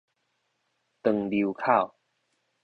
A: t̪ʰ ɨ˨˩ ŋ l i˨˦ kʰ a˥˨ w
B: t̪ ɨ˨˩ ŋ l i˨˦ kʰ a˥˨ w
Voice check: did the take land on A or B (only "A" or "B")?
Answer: B